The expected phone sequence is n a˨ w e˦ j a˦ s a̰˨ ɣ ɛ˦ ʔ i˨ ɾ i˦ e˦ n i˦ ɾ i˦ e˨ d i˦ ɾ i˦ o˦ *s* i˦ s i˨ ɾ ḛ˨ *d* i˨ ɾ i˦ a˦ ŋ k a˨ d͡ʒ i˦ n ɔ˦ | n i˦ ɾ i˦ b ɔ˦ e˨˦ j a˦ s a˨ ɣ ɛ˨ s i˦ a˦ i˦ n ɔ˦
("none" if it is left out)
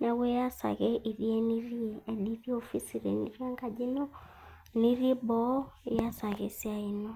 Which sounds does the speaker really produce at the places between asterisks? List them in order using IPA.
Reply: f, n

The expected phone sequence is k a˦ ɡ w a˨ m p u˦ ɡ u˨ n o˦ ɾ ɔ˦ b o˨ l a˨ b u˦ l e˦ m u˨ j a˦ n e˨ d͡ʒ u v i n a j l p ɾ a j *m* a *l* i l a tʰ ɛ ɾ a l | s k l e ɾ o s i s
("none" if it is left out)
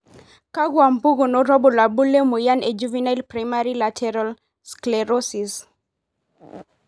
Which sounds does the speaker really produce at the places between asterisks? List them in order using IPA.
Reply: m, ɾ

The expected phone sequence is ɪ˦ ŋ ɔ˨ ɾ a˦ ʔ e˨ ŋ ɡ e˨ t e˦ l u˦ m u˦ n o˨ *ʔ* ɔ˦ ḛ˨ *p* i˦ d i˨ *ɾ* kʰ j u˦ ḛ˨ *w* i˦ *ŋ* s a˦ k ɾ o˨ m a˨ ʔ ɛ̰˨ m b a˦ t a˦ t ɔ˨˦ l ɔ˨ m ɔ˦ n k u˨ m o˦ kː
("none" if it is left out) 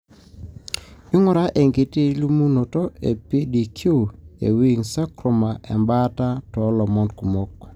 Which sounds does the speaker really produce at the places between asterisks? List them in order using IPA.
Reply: t, p, none, w, ŋ

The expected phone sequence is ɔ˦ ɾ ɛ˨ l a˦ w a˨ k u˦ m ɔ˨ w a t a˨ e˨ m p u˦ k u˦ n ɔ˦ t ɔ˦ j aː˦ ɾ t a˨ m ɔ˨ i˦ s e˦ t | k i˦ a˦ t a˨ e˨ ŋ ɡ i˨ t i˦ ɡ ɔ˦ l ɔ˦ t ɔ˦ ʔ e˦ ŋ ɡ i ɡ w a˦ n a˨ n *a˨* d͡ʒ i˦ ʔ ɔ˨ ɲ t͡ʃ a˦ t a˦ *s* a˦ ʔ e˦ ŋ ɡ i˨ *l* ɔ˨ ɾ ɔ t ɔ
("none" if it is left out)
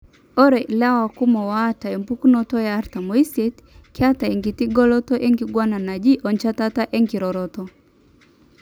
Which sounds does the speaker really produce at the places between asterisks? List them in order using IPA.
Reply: a˨, t, ɾ

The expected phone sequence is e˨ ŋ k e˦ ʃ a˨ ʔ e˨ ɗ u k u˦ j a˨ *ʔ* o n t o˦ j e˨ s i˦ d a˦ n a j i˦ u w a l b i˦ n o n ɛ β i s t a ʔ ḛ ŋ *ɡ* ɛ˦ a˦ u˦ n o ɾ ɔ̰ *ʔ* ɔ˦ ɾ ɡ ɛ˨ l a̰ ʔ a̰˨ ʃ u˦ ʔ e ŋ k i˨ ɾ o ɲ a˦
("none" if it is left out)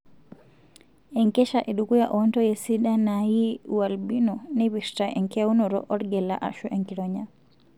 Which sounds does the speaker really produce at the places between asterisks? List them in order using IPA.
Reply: ʔ, k, ʔ

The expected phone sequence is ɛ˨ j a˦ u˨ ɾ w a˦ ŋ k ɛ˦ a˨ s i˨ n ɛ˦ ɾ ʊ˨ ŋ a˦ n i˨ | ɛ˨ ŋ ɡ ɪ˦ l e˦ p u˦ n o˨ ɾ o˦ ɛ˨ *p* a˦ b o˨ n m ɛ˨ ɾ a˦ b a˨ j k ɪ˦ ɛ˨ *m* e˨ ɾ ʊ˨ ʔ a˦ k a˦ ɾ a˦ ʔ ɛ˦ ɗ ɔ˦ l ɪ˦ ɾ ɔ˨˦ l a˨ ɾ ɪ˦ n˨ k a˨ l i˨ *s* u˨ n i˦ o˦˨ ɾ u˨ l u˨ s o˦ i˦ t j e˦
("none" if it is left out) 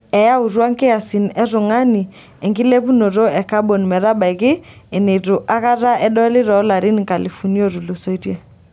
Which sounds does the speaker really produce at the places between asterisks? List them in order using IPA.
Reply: k, n, f

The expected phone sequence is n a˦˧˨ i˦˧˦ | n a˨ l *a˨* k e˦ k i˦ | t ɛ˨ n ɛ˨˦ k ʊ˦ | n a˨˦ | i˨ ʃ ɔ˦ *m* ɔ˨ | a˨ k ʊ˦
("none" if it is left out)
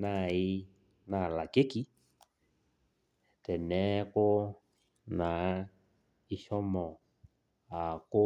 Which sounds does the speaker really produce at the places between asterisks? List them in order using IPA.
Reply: a˨, m

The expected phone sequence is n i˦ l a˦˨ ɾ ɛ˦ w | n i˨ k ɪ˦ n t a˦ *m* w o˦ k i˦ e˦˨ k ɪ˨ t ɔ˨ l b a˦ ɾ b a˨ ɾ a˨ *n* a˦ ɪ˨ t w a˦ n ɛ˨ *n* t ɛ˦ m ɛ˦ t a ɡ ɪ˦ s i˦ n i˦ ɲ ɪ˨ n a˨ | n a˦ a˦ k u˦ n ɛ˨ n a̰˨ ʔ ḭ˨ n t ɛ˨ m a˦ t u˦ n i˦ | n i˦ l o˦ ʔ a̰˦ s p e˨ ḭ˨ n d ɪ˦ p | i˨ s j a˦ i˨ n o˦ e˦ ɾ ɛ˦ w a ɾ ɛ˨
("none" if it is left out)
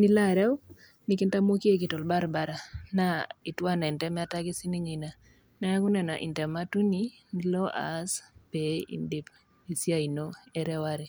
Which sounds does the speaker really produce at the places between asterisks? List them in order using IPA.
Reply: m, n, n

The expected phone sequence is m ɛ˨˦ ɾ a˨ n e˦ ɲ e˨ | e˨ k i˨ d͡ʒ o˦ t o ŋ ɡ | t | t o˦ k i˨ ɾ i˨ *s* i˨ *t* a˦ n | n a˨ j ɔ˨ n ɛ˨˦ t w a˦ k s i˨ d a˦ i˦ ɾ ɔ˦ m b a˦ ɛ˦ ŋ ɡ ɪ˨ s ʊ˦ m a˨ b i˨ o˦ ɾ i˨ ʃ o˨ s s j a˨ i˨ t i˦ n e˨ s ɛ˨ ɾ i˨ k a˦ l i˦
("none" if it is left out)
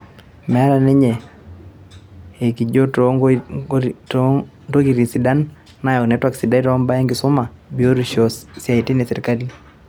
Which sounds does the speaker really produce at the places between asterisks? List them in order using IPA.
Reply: s, d

